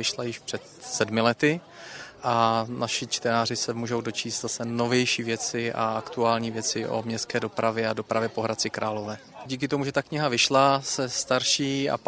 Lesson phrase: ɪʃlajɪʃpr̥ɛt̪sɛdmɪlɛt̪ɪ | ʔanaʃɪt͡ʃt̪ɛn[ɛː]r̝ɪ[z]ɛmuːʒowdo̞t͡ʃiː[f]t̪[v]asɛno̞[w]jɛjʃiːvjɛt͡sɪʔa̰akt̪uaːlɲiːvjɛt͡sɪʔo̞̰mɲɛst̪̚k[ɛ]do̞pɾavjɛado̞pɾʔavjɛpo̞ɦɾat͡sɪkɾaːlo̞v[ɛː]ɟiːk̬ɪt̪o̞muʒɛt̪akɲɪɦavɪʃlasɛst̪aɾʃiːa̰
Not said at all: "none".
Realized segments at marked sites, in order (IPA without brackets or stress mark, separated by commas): aː, s, s, z, v, ɛː, ɛː